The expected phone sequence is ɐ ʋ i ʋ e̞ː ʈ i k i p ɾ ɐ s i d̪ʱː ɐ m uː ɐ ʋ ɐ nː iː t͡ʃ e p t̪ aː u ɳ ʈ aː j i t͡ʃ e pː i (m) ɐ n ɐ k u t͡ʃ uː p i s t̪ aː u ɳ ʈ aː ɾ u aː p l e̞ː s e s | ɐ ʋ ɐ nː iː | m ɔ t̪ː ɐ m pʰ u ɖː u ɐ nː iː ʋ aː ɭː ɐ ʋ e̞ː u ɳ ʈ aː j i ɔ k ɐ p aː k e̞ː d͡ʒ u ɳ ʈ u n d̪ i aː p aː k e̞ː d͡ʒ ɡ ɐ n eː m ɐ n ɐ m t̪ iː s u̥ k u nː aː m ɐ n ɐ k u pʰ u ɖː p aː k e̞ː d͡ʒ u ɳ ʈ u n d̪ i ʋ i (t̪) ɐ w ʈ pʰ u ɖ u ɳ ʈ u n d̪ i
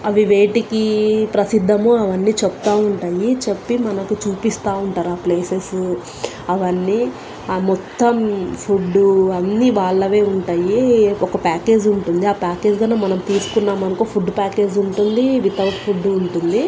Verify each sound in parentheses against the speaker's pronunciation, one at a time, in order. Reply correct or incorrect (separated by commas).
correct, correct